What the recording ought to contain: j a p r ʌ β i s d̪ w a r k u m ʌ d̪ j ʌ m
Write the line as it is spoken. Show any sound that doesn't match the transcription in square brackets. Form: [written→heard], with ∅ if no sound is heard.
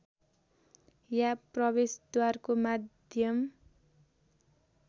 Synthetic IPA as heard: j a p r ʌ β [i→e] s d̪ w a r k [u→o] m [ʌ→a] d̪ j ʌ m